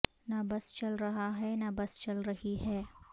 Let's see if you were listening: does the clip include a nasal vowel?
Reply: no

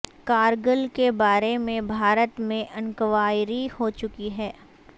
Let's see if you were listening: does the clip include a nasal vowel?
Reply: yes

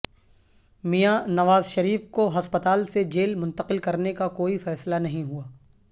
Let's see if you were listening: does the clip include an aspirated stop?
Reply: no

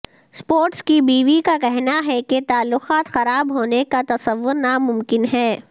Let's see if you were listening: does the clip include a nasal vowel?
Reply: no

